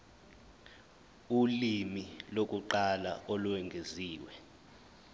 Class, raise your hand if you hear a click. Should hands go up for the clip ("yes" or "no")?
yes